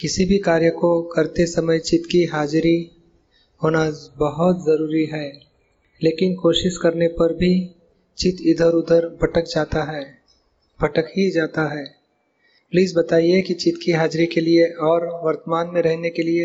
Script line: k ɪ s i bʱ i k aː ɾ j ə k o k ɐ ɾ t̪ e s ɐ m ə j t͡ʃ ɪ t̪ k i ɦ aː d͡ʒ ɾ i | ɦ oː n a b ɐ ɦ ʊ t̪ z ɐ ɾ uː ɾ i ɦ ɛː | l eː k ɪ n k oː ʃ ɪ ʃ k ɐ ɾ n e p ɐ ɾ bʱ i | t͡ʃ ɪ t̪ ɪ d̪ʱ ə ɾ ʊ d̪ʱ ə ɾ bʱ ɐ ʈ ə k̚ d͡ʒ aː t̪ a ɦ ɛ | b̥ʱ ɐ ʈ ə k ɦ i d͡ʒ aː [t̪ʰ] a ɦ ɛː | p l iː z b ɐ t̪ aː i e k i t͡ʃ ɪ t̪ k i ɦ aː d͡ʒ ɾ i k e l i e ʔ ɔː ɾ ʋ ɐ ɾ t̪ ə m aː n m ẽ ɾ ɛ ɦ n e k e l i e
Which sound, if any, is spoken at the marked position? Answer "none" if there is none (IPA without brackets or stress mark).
t̪